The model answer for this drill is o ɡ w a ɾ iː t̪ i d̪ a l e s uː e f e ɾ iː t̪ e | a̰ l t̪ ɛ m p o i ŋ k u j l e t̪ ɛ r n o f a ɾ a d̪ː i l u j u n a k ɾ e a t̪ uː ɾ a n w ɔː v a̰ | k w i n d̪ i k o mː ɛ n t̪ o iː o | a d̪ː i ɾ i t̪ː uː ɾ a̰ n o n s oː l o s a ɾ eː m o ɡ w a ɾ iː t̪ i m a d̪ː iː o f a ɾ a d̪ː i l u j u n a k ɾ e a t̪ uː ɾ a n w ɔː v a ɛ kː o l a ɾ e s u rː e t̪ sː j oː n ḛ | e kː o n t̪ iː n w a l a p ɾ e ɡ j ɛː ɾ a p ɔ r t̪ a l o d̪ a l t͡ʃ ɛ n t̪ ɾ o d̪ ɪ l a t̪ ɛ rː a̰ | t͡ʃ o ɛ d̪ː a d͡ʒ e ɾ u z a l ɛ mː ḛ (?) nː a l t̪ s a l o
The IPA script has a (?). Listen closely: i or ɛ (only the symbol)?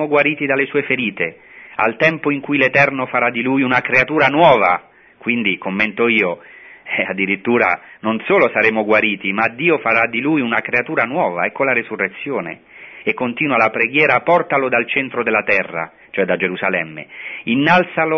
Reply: i